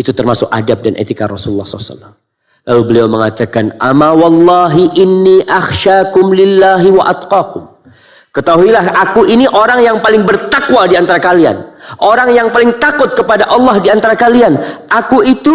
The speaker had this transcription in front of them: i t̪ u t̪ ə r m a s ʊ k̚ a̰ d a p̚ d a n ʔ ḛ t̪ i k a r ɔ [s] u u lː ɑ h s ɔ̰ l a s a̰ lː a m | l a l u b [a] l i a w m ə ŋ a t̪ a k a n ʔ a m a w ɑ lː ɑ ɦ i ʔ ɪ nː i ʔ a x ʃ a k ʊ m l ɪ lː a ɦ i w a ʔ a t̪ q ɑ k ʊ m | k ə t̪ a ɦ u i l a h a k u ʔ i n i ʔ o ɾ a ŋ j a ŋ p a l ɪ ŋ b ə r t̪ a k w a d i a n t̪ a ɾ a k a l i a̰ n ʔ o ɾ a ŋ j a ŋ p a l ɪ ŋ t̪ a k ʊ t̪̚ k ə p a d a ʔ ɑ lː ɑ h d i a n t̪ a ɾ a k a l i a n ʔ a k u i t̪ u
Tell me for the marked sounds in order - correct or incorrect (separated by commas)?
correct, incorrect